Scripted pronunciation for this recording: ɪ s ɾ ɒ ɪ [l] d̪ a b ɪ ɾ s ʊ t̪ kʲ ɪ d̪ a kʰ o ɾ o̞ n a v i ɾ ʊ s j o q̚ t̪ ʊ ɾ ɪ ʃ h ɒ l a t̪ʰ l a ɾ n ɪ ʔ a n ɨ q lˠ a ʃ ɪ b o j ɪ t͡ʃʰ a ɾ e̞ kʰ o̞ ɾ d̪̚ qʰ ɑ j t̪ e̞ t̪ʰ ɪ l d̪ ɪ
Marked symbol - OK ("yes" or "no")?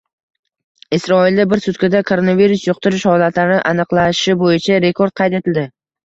yes